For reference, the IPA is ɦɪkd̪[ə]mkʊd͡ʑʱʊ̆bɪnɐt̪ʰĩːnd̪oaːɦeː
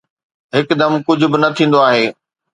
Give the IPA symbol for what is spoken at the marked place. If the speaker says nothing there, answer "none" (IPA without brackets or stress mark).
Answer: ɐ